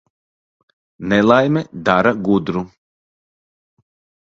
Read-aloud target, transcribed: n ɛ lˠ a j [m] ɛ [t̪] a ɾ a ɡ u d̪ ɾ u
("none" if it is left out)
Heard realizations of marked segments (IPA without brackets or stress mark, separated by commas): m, d̪